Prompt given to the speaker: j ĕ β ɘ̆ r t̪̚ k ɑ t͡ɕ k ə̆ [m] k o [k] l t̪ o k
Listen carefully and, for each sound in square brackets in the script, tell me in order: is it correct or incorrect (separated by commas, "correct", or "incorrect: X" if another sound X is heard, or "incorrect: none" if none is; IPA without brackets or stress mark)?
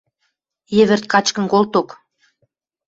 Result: incorrect: n, incorrect: none